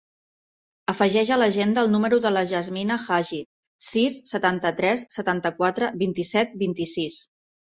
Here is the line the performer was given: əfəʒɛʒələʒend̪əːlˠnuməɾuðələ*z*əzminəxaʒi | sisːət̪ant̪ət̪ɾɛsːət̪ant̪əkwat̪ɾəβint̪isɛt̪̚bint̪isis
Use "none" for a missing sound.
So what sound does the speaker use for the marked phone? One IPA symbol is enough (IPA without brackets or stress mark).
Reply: ʒ